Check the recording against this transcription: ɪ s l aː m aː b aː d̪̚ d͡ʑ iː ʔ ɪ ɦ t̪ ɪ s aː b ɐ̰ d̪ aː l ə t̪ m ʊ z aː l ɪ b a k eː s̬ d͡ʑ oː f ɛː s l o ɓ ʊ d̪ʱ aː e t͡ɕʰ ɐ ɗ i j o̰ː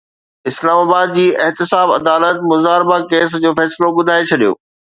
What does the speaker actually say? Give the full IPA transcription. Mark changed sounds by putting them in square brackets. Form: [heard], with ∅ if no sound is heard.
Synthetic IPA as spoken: ɪ s l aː m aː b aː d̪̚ d͡ʑ iː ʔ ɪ ɦ t̪ ɪ s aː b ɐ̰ d̪ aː l ə t̪ m ʊ z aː [ɾ] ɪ b a k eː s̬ d͡ʑ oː f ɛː s l o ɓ ʊ d̪ʱ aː e t͡ɕʰ ɐ ɗ i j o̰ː

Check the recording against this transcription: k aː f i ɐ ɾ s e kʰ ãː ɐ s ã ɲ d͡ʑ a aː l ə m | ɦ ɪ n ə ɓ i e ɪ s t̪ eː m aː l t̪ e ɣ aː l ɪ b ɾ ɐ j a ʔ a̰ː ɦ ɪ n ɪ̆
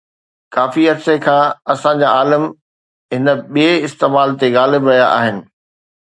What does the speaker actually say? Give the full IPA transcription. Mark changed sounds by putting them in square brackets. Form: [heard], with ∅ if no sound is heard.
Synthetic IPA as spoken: k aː f i ɐ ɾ s e kʰ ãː ɐ s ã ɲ d͡ʑ a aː l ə m | ɦ ɪ n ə ɓ i e ɪ s t̪ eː m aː l t̪ e ɣ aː l ɪ b ɾ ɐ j a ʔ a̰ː ɦ ɪ n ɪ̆

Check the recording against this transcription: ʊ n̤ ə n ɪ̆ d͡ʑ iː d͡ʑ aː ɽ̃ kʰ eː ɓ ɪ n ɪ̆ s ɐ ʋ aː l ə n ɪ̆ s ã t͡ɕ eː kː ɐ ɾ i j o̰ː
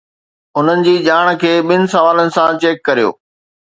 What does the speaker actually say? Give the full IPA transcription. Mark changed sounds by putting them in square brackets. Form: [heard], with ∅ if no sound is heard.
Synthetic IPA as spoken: ʊ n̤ ə n ɪ̆ d͡ʑ iː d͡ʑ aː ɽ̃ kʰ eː ɓ ɪ n ɪ̆ s ɐ ʋ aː l ə n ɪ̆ s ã t͡ɕ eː kː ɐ ɾ i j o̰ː

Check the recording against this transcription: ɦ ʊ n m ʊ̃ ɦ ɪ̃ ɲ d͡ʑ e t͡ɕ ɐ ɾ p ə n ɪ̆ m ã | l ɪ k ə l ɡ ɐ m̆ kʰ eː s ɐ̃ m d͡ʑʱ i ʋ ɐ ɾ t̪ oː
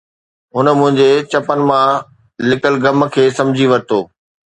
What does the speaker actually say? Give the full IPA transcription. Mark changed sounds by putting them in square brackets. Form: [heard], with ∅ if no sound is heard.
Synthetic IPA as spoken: ɦ ʊ n m ʊ̃ ɦ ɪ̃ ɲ d͡ʑ e t͡ɕ ɐ [∅] p ə n ɪ̆ m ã | l ɪ k ə l ɡ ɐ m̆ kʰ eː s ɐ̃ m d͡ʑʱ i ʋ ɐ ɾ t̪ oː

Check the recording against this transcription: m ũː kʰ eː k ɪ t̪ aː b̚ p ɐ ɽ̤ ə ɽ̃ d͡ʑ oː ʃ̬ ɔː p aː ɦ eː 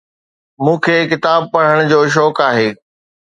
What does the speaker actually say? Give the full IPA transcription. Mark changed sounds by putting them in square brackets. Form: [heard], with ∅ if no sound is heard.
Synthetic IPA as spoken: m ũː kʰ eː k ɪ t̪ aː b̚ p ɐ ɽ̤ ə ɽ̃ d͡ʑ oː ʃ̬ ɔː [k] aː ɦ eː

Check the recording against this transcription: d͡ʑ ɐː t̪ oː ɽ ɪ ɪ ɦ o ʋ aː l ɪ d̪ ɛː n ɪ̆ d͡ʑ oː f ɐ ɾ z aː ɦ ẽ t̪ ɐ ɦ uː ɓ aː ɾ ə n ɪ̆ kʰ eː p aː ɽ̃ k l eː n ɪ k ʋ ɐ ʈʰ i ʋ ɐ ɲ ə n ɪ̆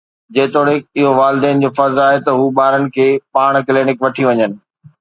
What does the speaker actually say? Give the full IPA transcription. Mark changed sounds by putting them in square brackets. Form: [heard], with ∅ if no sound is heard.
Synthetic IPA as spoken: d͡ʑ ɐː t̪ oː ɽ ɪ ɪ ɦ o ʋ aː l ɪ d̪ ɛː n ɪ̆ d͡ʑ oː f ɐ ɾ z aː ɦ [e] t̪ ɐ ɦ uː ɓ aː ɾ ə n ɪ̆ kʰ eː p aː ɽ̃ k l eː n ɪ k ʋ ɐ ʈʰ i ʋ ɐ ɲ ə n ɪ̆

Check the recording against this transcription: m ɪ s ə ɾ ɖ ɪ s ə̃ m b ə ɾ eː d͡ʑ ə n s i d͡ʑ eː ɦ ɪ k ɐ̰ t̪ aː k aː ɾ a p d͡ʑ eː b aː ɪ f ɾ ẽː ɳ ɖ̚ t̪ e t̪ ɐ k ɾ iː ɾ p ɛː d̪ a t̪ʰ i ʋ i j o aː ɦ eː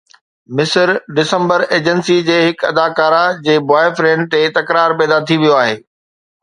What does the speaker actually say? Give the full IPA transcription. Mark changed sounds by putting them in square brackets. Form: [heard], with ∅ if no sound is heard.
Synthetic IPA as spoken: m ɪ s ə ɾ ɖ ɪ s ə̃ m b ə ɾ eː d͡ʑ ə n s i d͡ʑ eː ɦ ɪ k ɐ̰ [d̪] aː k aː ɾ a [∅] d͡ʑ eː b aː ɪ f ɾ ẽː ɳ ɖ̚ t̪ e t̪ ɐ k ɾ [aː] ɾ p ɛː d̪ a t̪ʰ i ʋ i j o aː ɦ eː

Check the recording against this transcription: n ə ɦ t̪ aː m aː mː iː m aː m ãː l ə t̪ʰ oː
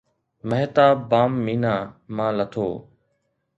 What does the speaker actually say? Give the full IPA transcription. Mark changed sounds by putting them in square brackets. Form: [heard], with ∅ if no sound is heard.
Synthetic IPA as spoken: [m] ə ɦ t̪ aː [b] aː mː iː [n] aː m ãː l ə t̪ʰ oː

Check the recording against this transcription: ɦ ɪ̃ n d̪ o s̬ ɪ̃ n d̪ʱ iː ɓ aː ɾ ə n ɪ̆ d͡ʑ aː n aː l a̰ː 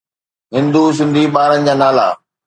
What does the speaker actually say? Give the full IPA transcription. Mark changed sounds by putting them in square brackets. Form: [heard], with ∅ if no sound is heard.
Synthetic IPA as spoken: ɦ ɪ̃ n d̪ [u] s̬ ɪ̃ n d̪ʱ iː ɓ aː ɾ ə n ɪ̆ d͡ʑ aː n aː l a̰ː

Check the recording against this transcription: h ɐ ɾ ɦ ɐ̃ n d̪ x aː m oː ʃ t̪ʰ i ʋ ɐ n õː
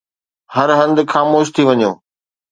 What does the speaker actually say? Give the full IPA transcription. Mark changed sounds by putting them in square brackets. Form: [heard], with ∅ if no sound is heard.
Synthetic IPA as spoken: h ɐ ɾ ɦ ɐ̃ n d̪ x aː m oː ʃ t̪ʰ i ʋ ɐ [ɲ] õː

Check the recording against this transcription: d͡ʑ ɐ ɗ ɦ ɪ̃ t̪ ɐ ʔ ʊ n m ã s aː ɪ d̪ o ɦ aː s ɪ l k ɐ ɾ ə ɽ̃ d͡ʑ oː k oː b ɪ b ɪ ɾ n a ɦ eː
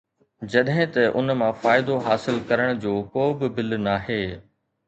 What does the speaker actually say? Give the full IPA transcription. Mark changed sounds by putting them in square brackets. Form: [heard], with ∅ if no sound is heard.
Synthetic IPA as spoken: d͡ʑ ɐ ɗ ɦ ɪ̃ t̪ ɐ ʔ ʊ n m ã [f] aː ɪ d̪ o ɦ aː s ɪ l k ɐ ɾ ə ɽ̃ d͡ʑ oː k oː b ɪ b ɪ [l] n a ɦ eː

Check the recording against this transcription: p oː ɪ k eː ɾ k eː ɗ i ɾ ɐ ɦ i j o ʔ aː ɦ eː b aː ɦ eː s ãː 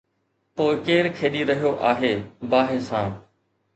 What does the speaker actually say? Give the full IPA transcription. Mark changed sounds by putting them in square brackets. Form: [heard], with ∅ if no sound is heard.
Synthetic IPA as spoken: p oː ɪ k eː ɾ [kʰ] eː ɗ i ɾ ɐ ɦ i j o ʔ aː ɦ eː b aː ɦ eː s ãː

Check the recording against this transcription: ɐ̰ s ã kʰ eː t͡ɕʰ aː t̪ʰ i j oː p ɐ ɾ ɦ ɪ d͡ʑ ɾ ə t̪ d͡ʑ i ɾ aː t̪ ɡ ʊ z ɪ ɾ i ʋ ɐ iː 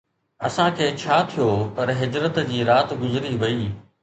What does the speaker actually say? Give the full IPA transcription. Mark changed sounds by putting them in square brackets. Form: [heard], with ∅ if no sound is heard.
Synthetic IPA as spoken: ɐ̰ s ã kʰ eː t͡ɕʰ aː t̪ʰ i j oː p ɐ ɾ ɦ ɪ d͡ʑ ɾ ə t̪ d͡ʑ [iː] ɾ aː t̪ ɡ ʊ z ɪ ɾ i ʋ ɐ iː

